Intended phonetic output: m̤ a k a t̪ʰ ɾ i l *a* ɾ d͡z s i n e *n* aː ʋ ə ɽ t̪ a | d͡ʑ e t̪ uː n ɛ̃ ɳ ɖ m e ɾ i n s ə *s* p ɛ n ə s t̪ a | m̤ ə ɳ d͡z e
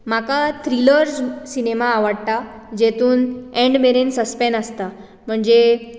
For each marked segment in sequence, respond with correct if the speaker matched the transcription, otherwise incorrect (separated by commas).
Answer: incorrect, incorrect, correct